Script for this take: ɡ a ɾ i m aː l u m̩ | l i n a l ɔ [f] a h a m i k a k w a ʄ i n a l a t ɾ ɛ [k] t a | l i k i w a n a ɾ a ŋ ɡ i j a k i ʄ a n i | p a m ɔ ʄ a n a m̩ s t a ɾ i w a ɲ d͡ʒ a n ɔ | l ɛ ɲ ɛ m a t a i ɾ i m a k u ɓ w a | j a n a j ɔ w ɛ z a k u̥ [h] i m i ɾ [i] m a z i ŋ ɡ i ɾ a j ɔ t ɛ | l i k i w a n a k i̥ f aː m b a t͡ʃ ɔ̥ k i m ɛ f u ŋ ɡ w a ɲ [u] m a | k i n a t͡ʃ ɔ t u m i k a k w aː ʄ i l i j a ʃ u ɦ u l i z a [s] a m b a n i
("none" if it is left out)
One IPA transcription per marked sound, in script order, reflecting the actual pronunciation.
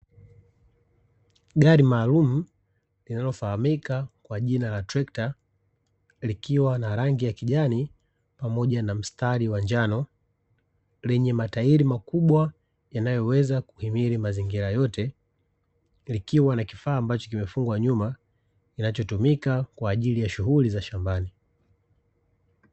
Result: f, k, h, i, u, ʃ

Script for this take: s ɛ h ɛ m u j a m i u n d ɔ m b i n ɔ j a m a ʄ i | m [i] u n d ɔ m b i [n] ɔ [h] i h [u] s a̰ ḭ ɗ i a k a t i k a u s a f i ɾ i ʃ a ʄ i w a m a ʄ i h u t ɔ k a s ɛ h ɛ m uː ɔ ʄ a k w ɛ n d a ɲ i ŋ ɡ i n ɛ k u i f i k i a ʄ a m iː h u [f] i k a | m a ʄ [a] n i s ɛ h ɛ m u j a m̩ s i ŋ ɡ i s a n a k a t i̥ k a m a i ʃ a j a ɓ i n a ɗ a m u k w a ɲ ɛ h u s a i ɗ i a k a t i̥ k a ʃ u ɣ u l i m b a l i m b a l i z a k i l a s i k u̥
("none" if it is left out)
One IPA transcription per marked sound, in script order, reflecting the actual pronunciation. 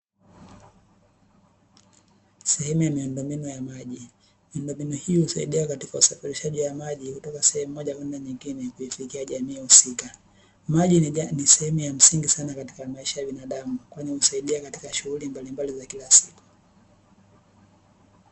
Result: i, n, h, u, s, i

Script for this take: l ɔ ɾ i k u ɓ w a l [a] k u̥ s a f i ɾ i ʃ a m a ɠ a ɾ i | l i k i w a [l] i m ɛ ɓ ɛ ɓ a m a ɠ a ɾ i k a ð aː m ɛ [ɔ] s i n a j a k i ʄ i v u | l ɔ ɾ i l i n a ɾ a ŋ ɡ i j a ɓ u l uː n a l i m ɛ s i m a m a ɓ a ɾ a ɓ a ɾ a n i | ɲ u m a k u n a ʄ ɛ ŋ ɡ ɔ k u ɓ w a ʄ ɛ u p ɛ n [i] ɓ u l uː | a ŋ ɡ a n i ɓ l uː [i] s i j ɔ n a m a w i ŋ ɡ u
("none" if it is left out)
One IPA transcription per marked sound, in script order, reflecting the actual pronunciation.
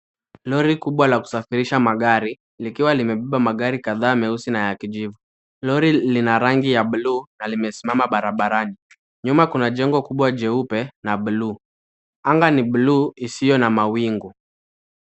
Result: a, l, u, a, i

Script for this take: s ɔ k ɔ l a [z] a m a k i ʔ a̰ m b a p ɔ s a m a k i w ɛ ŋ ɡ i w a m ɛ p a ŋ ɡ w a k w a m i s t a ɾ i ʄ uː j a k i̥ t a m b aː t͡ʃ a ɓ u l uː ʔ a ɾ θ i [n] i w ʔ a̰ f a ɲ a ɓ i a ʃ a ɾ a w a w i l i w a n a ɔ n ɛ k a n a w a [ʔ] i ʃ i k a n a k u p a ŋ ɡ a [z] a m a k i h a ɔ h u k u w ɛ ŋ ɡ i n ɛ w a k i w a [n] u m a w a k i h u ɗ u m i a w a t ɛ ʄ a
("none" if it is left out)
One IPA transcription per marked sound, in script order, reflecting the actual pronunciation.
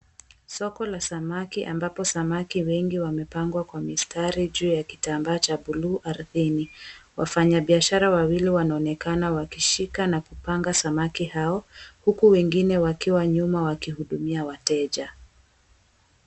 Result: s, n, k, s, ɲ

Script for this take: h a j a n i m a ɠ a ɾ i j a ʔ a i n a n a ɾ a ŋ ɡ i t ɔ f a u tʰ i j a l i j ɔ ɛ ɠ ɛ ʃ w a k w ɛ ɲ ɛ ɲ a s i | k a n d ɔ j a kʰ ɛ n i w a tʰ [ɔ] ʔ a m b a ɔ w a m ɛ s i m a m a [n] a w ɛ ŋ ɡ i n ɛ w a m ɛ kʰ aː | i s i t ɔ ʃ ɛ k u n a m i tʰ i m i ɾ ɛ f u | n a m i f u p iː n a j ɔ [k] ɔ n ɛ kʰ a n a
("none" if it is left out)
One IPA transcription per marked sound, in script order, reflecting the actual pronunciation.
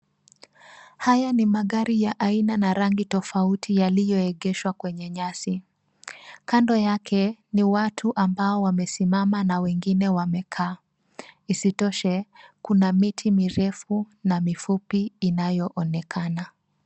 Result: u, n, ʔ

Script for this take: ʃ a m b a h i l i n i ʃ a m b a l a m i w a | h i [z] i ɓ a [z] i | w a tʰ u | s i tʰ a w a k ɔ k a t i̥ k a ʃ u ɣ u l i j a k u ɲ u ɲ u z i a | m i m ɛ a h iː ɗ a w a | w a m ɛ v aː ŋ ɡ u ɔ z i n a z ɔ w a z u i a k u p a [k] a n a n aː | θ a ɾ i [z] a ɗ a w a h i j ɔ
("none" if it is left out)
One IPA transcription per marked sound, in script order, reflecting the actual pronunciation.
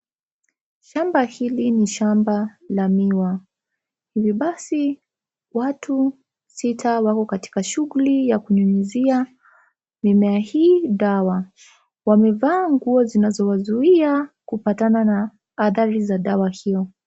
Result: v, s, t, z

